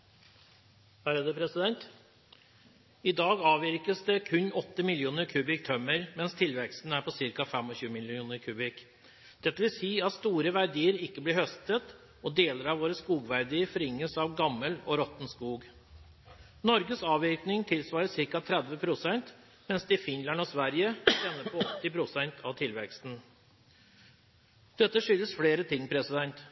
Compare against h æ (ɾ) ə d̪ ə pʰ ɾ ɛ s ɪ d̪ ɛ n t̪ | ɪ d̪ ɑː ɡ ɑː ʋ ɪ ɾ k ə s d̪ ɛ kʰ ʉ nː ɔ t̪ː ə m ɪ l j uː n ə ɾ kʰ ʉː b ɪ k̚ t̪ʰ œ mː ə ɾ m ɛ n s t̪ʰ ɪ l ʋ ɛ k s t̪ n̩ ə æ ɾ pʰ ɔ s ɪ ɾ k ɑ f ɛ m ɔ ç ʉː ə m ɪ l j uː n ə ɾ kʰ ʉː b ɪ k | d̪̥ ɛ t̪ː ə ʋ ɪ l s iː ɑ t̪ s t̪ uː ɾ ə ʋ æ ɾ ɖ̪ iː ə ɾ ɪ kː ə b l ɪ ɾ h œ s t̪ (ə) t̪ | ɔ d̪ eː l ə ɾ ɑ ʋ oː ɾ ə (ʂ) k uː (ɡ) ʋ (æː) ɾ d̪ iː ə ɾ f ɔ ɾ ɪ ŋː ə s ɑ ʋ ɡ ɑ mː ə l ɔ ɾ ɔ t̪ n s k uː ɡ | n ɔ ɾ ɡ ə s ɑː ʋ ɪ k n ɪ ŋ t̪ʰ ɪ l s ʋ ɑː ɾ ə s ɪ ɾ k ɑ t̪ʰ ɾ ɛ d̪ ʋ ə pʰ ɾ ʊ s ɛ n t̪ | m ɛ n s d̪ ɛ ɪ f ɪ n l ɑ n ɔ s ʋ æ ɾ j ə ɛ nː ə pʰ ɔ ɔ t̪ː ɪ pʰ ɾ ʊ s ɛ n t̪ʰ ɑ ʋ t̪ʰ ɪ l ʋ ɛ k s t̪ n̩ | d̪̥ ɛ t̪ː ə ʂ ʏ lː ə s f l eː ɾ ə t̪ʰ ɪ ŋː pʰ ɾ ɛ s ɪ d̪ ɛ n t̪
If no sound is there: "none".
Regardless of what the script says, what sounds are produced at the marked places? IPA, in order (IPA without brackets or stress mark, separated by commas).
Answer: ɾ, ə, s, ɡ, æ